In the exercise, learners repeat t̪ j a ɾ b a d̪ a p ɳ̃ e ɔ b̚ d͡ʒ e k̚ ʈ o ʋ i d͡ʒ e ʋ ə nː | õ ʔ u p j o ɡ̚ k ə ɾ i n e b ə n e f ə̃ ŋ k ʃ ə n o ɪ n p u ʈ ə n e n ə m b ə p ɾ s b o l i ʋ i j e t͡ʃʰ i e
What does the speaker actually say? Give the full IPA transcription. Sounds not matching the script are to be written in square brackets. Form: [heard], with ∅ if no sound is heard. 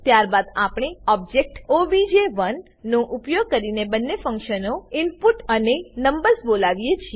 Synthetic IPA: t̪ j a ɾ b a d̪ a p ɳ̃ e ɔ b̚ d͡ʒ e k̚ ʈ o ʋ i d͡ʒ e ʋ ə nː | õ ʔ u p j o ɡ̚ k ə ɾ i n e b ə [nː] e f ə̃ ŋ k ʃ ə n o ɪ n p u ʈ ə n e n ə m b ə [∅] ɾ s b o l [a] ʋ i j e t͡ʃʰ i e